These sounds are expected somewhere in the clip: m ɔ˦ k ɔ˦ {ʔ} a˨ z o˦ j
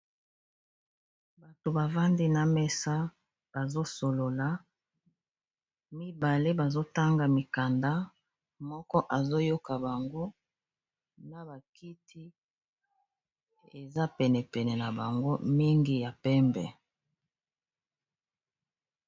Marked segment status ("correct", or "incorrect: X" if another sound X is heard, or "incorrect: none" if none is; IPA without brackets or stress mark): correct